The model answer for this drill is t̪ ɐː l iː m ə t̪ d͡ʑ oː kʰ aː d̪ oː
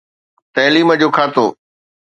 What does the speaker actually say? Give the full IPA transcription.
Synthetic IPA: t̪ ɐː l iː m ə d͡ʑ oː kʰ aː t̪ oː